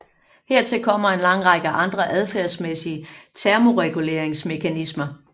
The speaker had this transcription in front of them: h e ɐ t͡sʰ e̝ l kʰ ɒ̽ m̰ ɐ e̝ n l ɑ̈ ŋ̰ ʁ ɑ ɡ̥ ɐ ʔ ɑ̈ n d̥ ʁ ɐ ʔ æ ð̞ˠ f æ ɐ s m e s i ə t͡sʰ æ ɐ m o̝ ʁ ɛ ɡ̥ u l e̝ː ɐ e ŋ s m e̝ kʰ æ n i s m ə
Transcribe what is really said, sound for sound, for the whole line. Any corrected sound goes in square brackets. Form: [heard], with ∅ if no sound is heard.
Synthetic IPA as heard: h e ɐ t͡sʰ e̝ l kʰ ɒ̽ m̰ ɐ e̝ n l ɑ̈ ŋ̰ ʁ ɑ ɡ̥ [ə] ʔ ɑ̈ n d̥ ʁ ɐ ʔ æ ð̞ˠ f æ ɐ s m e s i ə t͡sʰ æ ɐ m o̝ ʁ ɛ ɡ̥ u l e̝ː ɐ e ŋ s m e̝ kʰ æ n i s m [ɐ]